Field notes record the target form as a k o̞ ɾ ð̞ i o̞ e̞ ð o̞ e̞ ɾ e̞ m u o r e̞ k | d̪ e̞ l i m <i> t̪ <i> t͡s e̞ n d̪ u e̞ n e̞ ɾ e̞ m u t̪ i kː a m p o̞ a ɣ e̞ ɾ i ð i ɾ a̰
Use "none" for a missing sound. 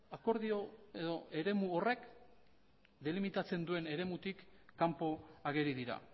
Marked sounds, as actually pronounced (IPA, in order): i, a

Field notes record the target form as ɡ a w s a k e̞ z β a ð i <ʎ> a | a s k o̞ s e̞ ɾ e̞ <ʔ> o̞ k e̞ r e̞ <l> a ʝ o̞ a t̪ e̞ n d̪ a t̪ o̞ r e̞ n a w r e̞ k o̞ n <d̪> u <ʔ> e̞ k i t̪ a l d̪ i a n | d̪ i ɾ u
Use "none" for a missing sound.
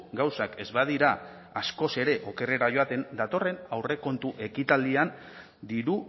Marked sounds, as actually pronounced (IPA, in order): ɾ, ʔ, ɾ, t̪, ʔ

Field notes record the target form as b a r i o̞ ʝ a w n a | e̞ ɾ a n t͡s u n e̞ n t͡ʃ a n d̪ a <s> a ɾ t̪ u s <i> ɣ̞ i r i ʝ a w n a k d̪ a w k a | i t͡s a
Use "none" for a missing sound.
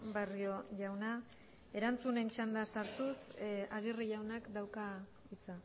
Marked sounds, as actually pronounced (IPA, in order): s, a

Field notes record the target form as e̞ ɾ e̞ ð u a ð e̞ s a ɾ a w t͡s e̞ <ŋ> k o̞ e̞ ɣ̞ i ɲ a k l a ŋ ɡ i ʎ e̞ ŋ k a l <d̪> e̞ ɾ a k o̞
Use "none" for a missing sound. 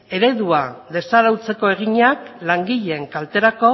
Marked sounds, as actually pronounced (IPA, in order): none, t̪

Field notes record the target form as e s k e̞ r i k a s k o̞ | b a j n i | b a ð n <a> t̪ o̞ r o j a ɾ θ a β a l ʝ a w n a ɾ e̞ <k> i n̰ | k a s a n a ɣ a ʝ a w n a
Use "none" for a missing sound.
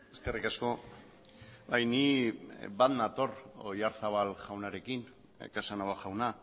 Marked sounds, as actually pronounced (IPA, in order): a, k

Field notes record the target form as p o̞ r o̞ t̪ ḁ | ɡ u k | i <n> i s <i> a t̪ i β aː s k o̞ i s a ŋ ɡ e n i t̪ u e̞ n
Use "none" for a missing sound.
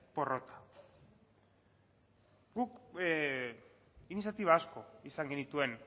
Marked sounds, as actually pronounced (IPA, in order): n, j

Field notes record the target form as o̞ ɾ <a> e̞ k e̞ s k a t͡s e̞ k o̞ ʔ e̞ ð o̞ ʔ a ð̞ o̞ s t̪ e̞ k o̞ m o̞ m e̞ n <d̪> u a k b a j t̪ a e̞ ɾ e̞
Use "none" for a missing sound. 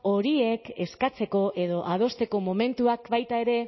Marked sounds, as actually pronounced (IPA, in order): i, t̪

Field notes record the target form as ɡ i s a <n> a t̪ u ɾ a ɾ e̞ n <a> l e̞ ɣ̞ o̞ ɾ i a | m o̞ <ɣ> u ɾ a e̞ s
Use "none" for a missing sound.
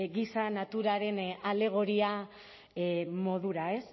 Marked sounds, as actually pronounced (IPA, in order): n, a, ð

